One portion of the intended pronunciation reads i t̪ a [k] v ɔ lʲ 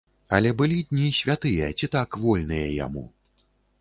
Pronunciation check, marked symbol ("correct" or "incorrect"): correct